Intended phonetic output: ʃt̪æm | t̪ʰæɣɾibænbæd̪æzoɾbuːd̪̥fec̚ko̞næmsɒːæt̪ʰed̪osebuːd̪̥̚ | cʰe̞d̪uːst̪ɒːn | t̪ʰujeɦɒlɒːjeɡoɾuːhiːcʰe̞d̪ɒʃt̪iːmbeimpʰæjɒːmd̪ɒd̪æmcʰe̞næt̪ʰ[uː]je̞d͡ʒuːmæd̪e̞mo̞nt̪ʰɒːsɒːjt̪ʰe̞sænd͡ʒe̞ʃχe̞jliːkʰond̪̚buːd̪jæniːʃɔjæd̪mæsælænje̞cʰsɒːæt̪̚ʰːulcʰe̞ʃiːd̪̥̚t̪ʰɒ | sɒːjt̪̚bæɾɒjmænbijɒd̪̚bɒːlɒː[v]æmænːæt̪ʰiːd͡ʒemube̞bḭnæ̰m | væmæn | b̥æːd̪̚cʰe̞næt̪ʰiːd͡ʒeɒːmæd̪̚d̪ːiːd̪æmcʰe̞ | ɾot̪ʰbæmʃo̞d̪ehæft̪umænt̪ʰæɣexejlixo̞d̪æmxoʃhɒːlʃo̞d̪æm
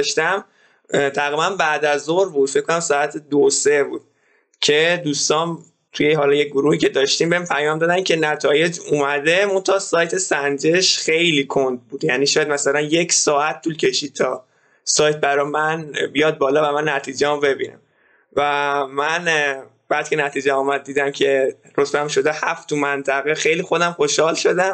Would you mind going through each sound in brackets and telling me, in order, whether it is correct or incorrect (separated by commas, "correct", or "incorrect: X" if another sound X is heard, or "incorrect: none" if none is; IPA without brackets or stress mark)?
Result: incorrect: ɒː, correct